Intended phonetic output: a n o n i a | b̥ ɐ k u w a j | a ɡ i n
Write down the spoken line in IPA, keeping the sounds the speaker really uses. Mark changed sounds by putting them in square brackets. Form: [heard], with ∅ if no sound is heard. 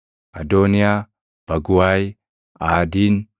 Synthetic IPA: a [d] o n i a | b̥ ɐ [ɡ] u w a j | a [d] i n